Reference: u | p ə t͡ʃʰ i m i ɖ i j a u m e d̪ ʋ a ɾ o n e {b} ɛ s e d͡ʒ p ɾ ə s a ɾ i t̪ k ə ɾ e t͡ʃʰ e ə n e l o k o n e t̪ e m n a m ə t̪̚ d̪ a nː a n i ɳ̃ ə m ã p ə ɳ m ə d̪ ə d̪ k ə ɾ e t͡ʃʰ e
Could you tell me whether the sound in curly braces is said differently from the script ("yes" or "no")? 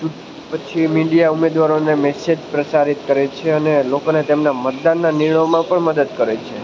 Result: yes